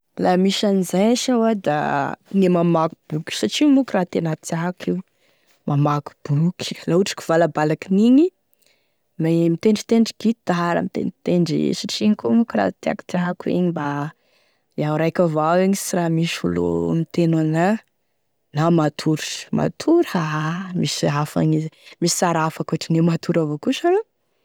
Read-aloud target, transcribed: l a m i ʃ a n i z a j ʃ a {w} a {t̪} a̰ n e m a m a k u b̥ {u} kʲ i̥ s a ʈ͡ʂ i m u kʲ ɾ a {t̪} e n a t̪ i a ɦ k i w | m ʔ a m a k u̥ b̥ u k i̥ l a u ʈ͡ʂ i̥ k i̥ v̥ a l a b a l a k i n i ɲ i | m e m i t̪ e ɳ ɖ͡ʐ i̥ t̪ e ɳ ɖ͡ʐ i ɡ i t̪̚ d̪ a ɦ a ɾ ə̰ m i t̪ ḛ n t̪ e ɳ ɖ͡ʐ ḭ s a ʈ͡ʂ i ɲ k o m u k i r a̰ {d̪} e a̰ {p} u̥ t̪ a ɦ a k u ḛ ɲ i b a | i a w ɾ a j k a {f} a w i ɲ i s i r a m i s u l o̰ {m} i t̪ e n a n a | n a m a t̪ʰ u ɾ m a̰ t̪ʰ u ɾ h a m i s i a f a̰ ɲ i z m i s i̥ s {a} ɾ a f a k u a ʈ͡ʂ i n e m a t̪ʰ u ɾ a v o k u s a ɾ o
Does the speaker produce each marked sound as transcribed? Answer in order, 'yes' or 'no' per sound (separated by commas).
yes, no, yes, yes, no, no, no, yes, yes